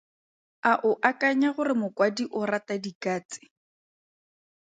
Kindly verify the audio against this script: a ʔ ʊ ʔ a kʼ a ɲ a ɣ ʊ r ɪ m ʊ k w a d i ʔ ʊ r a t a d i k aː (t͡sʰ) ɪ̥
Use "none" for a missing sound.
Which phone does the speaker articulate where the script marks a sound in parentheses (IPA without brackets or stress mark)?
t͡s